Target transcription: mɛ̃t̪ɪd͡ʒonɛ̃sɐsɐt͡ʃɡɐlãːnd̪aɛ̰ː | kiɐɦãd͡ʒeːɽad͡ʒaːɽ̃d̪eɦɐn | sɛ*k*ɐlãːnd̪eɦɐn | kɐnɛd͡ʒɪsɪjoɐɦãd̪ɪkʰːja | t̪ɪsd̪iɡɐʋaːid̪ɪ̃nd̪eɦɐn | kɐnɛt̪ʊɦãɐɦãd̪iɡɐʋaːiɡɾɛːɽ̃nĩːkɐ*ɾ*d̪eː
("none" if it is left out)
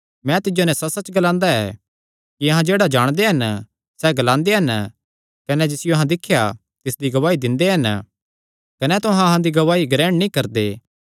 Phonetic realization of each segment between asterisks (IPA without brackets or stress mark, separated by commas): ɡ, ɾ